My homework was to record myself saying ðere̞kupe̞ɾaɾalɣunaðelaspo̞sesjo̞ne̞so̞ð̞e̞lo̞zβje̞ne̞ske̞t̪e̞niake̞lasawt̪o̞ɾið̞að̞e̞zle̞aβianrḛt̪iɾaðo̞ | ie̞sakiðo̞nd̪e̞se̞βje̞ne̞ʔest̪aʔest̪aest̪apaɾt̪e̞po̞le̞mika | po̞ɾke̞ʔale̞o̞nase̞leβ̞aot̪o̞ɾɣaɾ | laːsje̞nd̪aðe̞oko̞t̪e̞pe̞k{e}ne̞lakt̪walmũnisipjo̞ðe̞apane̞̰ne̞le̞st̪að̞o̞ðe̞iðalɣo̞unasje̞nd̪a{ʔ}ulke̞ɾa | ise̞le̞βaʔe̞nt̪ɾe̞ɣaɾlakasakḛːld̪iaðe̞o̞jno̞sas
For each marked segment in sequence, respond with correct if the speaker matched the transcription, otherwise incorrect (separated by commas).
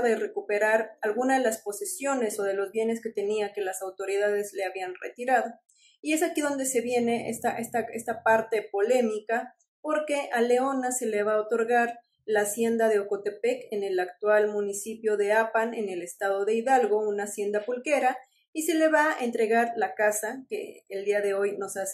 correct, incorrect